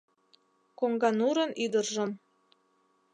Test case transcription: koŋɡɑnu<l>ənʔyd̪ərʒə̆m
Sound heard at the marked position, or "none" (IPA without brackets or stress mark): ɾ